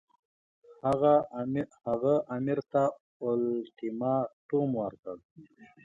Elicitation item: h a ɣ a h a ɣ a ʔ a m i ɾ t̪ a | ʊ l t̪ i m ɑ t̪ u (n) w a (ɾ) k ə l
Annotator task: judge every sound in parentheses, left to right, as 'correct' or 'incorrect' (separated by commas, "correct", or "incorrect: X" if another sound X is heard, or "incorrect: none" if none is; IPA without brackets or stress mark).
incorrect: m, correct